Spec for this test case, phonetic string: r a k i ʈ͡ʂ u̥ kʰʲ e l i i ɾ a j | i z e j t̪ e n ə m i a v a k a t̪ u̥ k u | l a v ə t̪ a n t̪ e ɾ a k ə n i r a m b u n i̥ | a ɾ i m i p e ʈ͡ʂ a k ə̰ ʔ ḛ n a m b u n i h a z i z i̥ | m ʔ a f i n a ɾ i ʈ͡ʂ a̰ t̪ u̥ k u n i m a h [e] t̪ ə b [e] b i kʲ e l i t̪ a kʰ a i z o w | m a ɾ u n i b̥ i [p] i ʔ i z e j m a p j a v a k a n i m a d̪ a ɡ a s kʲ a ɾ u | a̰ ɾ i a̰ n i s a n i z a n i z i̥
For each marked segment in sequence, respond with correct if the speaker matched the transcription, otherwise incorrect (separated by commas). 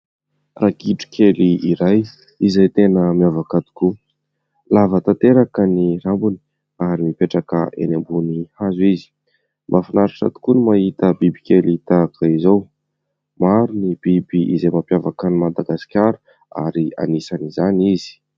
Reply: incorrect, incorrect, incorrect